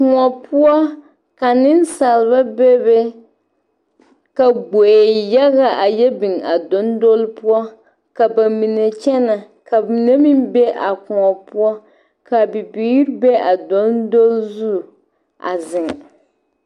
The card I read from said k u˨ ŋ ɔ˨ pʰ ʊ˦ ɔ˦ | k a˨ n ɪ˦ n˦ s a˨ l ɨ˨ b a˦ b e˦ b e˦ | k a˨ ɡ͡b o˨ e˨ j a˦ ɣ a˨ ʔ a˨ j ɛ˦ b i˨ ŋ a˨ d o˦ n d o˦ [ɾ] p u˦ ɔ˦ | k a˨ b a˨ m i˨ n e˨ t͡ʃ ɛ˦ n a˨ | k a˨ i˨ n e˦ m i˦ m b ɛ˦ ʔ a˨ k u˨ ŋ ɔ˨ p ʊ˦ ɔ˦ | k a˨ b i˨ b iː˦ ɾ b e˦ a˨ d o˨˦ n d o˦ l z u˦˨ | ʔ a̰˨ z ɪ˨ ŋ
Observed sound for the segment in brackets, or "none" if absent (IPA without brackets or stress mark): l